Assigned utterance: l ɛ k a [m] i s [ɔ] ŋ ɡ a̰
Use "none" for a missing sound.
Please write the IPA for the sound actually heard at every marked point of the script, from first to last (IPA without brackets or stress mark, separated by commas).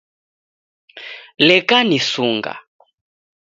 n, u